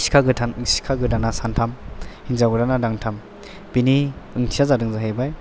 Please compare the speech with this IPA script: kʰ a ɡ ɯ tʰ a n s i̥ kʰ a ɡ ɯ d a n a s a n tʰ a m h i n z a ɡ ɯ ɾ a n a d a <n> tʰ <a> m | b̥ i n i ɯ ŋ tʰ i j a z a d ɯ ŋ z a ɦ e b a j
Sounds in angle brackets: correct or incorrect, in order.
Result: incorrect: ŋ, correct

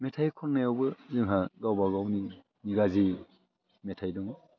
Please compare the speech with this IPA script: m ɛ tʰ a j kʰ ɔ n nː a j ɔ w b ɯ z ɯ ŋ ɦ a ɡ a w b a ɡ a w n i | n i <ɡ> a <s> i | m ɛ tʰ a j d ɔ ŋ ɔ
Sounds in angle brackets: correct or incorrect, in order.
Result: correct, incorrect: z

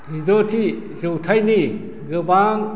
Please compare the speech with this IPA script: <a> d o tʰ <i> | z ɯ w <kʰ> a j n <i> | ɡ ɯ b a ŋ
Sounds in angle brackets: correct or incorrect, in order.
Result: incorrect: i, correct, incorrect: tʰ, correct

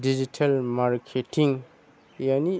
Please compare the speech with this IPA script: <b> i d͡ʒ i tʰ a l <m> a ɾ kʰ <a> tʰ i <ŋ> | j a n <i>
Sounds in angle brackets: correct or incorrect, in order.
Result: incorrect: d, correct, incorrect: e, correct, correct

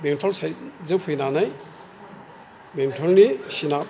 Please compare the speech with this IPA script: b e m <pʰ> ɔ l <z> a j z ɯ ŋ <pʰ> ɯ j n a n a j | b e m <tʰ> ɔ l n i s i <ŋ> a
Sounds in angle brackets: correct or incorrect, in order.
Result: incorrect: tʰ, incorrect: s, correct, correct, incorrect: n

